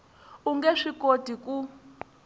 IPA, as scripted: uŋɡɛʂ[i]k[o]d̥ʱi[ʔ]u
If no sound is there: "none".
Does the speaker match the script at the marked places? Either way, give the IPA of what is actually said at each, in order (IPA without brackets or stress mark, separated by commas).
i, o, k